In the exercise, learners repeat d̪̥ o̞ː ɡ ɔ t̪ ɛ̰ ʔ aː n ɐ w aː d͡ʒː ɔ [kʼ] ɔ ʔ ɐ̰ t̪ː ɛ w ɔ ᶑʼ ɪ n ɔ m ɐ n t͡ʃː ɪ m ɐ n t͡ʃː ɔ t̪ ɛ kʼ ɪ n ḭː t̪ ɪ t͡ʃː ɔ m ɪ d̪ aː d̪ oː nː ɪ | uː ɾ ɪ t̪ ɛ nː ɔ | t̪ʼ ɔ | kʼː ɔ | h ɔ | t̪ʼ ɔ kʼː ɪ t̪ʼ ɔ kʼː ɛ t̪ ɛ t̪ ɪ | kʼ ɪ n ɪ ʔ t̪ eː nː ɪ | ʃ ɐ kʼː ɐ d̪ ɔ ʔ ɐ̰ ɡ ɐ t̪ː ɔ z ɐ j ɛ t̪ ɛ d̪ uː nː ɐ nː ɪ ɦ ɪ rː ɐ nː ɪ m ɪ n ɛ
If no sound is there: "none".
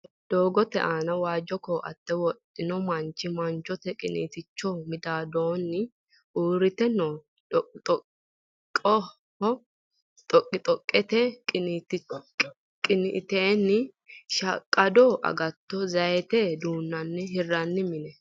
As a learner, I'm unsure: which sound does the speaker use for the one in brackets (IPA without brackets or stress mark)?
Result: k